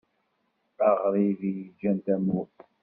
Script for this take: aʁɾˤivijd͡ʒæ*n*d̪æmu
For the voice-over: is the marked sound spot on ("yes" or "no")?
yes